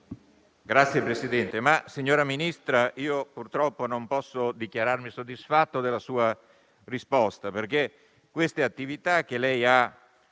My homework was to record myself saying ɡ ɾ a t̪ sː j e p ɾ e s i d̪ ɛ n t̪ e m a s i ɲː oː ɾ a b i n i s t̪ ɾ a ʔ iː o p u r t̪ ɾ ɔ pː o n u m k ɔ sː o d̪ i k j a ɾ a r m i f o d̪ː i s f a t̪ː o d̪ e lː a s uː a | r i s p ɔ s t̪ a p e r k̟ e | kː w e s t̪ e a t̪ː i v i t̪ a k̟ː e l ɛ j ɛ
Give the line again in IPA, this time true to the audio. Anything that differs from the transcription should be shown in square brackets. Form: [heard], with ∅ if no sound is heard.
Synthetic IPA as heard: ɡ ɾ a t̪ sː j e p ɾ e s i d̪ ɛ n t̪ e m a s i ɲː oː ɾ a [m] i n i s t̪ ɾ a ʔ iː o p u r t̪ ɾ ɔ pː o n [o] m [p] ɔ sː o d̪ i k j a ɾ a r m i [s] o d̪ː i s f a t̪ː o d̪ e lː a s uː a | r i s p ɔ s t̪ a p e r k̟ e | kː w e s t̪ e a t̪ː i v i t̪ a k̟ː e l ɛ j [a]